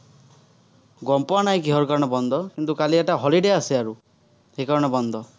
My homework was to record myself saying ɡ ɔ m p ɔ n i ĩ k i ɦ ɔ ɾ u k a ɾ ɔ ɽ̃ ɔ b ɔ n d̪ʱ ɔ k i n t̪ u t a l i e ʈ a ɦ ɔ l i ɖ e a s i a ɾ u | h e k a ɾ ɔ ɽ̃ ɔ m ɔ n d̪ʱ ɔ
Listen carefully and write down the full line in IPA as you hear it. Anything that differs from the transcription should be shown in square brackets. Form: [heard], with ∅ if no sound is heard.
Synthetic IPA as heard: ɡ ɔ m p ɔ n [a] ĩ k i ɦ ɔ ɾ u k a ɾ ɔ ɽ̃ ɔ b ɔ n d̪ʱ ɔ k i n t̪ u [k] a l i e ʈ a ɦ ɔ l i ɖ e a s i a ɾ u | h e k a ɾ ɔ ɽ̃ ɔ [b] ɔ n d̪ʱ ɔ